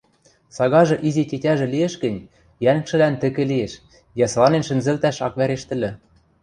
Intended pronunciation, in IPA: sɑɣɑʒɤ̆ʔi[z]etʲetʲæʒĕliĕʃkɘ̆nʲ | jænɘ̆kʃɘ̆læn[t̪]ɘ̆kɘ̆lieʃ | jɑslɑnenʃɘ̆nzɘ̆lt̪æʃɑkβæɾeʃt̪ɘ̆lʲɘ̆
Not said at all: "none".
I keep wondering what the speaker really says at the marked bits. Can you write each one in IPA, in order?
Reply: z, t̪

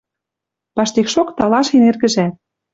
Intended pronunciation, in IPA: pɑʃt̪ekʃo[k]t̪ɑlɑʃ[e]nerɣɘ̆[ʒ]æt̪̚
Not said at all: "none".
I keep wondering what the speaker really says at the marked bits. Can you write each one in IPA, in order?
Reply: k, e, ʒ

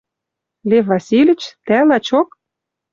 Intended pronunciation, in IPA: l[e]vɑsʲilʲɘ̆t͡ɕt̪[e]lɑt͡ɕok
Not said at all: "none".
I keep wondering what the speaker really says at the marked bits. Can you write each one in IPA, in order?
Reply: e, æ

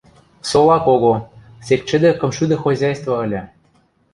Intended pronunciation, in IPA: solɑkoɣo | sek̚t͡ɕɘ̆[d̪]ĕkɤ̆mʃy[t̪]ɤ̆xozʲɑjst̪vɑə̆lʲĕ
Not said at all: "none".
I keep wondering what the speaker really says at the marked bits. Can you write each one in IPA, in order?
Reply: d̪, d̪

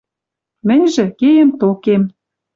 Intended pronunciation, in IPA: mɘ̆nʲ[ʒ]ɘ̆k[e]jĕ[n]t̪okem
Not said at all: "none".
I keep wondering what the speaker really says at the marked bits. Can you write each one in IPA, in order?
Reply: ʒ, e, m

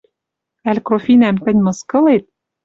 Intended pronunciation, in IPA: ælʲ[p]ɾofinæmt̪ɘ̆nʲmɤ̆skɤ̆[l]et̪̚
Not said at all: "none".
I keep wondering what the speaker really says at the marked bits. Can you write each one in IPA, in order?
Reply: k, l

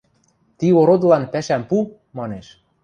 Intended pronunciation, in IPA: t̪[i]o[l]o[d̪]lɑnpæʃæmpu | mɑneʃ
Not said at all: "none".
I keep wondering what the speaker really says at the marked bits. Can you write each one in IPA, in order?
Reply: i, ɾ, d̪

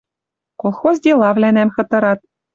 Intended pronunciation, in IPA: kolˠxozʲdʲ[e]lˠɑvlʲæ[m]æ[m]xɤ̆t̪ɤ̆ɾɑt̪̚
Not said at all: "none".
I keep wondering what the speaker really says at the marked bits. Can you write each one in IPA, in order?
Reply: e, n, m

